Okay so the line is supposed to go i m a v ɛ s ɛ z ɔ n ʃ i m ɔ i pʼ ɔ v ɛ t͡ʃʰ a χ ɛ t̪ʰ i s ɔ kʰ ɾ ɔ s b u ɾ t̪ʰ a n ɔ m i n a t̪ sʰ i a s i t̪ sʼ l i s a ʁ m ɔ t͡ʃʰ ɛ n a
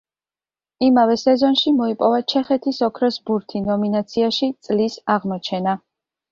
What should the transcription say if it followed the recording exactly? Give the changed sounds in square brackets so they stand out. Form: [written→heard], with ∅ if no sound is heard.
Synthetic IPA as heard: i m a v ɛ s ɛ z ɔ n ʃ i m ɔ i pʼ ɔ v [ɛ→a] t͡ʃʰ [a→ɛ] χ ɛ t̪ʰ i s ɔ kʰ ɾ ɔ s b u ɾ t̪ʰ [a→i] n ɔ m i n a t̪ sʰ i a [s→ʃ] i t̪ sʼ l i s a ʁ m ɔ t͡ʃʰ ɛ n a